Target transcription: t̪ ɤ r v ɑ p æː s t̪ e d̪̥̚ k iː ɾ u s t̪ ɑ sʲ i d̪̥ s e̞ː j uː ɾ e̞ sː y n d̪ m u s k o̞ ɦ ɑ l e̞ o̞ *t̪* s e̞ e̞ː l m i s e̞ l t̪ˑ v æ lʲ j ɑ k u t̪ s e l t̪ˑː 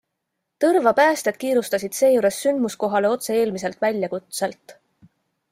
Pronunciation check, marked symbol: correct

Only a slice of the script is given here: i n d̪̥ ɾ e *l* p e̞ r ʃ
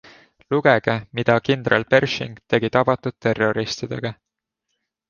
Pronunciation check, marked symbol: correct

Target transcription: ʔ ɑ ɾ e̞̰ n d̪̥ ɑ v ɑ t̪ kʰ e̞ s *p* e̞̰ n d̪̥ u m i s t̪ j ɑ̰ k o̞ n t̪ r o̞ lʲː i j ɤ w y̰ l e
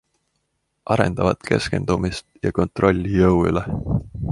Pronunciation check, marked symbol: incorrect: k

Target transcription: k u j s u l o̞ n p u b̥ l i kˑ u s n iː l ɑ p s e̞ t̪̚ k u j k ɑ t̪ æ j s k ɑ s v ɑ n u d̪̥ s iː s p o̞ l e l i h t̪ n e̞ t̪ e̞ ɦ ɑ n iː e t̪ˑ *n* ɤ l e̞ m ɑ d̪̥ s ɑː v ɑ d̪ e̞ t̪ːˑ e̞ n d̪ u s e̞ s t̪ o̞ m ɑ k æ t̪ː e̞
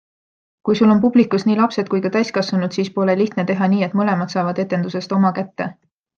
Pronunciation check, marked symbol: incorrect: m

